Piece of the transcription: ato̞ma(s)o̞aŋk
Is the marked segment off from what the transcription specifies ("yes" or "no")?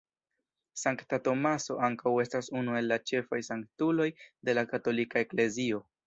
no